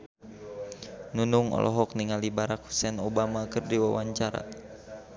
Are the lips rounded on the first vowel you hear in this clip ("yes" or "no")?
yes